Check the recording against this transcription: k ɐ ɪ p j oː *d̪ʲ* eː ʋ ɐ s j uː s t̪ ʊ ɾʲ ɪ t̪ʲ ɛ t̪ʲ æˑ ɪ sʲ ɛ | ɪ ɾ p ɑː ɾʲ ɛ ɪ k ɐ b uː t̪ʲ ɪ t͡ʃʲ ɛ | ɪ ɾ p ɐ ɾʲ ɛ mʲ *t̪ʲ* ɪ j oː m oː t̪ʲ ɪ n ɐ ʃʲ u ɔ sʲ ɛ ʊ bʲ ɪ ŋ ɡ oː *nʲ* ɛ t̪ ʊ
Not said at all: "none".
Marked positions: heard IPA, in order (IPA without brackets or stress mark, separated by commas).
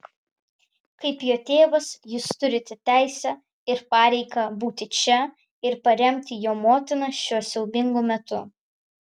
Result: t̪ʲ, t̪ʲ, mʲ